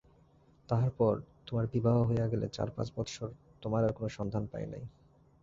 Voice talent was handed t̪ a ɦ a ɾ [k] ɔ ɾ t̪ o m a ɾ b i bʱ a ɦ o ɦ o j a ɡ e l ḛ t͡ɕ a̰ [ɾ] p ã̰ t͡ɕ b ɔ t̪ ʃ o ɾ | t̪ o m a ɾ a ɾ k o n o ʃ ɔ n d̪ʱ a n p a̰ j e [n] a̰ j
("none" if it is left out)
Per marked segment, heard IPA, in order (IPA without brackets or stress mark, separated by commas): p, ɾ, n